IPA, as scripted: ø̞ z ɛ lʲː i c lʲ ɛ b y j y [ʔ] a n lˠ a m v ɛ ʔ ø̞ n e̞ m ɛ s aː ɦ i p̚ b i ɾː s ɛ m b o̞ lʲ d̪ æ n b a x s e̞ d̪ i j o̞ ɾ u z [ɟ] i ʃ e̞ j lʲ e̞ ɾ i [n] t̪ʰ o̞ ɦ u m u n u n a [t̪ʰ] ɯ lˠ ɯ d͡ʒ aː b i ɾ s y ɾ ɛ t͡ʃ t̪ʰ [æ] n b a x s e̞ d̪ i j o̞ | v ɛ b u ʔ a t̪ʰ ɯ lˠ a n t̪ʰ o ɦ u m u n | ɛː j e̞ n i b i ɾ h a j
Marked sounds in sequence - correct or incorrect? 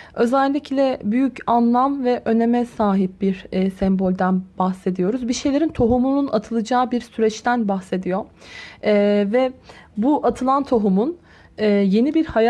incorrect, incorrect, correct, correct, correct

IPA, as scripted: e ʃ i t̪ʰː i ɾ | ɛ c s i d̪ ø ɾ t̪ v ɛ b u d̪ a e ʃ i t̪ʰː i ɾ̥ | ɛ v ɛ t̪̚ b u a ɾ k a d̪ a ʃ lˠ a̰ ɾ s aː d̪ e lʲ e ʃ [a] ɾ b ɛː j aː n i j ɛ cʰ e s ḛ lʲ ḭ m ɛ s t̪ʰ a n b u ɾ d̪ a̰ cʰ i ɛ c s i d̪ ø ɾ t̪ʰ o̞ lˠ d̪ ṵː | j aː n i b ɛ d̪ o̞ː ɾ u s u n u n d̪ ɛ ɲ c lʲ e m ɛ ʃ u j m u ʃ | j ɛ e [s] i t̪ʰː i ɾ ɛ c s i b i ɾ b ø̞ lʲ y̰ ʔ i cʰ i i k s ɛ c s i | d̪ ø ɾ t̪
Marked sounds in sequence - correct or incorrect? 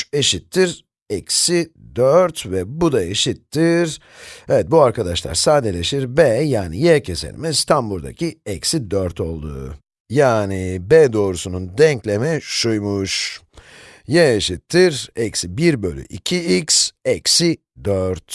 incorrect, incorrect

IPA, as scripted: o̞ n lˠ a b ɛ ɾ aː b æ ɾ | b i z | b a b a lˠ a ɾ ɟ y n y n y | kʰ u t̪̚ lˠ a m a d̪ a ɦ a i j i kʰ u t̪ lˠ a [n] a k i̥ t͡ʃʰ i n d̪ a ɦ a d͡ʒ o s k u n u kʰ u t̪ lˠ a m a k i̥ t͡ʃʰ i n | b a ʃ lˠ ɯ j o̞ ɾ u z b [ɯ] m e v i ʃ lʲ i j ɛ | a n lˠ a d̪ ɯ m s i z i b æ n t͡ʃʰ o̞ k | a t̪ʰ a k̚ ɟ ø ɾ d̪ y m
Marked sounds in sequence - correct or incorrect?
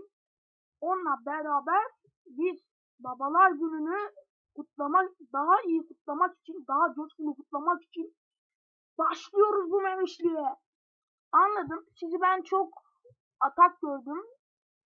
incorrect, incorrect

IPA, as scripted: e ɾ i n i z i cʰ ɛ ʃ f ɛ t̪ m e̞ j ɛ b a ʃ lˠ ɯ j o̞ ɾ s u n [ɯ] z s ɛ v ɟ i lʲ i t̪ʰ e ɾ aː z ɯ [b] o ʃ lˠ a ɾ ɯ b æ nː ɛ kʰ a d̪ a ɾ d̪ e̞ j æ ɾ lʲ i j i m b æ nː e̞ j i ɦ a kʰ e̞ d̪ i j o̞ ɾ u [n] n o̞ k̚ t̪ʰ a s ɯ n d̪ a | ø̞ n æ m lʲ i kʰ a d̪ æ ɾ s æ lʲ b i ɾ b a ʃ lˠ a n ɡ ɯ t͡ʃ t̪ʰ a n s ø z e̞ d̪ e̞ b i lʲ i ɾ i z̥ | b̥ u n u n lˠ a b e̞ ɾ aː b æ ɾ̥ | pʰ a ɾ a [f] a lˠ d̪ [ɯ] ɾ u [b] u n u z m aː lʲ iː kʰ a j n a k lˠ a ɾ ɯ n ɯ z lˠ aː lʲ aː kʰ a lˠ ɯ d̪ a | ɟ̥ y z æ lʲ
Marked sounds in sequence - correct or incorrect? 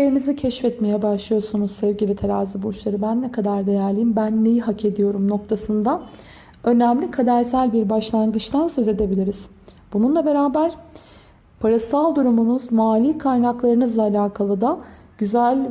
incorrect, correct, incorrect, incorrect, incorrect, incorrect

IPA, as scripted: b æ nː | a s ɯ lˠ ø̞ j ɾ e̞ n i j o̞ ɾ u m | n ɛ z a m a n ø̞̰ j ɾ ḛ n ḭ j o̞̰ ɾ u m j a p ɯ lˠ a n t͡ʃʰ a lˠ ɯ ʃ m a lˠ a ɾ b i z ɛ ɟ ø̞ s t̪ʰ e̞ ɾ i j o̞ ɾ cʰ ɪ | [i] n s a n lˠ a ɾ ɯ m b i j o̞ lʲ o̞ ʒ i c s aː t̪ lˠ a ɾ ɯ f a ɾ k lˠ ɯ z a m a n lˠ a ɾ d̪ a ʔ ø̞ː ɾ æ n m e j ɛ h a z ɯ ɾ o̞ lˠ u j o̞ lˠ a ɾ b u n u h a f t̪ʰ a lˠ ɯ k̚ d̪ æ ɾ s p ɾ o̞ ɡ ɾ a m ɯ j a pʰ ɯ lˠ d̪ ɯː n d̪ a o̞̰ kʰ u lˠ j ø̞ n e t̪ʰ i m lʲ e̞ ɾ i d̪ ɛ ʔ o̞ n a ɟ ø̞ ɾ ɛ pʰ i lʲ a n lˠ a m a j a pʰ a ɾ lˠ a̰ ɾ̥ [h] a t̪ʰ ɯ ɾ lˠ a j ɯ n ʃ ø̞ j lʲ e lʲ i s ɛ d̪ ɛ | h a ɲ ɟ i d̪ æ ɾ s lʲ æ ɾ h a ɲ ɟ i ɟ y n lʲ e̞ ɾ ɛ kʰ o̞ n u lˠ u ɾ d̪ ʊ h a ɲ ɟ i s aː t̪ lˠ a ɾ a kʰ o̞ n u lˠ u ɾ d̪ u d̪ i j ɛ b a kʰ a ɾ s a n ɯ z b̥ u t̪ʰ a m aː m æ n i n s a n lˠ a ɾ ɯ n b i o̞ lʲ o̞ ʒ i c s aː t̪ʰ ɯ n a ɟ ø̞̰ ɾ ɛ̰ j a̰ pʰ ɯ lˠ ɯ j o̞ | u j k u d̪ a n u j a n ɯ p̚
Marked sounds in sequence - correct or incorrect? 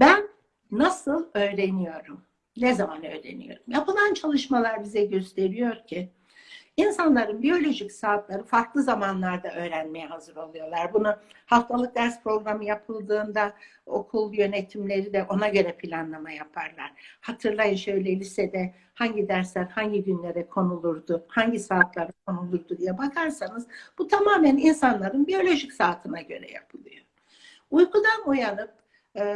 correct, correct

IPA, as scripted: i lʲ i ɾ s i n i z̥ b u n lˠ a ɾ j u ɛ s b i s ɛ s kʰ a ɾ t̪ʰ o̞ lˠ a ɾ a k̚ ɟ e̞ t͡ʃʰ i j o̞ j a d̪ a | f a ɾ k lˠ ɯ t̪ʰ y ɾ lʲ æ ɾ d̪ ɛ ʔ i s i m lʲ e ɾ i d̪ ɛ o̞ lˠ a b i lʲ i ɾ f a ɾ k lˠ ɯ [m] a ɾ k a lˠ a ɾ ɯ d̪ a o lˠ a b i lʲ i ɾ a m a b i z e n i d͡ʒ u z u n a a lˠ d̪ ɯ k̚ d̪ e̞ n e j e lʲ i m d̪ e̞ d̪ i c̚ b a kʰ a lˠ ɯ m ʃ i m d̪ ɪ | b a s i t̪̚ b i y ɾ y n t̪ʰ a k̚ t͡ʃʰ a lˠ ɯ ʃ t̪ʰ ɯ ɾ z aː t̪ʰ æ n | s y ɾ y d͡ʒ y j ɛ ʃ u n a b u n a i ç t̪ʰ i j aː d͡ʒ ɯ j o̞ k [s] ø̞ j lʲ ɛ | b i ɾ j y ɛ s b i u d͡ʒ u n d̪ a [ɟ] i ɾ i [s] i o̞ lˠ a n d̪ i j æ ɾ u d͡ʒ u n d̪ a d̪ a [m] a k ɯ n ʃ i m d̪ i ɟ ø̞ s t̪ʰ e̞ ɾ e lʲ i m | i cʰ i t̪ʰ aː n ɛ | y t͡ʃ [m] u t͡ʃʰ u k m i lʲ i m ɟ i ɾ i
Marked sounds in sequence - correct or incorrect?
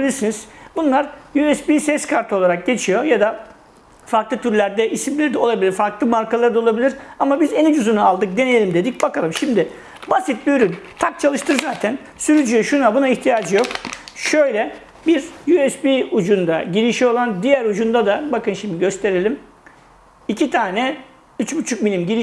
correct, incorrect, correct, incorrect, incorrect, incorrect

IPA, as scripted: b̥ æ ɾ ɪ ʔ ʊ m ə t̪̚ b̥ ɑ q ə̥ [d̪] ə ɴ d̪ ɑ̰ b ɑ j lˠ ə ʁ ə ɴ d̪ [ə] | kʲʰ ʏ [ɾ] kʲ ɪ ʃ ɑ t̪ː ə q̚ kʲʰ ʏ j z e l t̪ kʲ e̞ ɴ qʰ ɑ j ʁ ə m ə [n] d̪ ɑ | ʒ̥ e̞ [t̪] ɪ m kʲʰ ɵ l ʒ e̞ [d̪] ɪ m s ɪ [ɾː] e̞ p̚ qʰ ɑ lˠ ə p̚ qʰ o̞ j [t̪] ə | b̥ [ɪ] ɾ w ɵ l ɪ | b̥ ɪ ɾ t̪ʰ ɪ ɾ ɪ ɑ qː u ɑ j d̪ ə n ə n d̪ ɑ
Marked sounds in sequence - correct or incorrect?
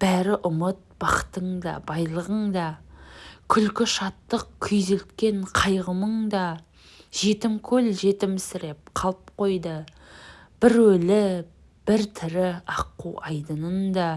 incorrect, incorrect, incorrect, incorrect, correct, incorrect, incorrect, incorrect, correct

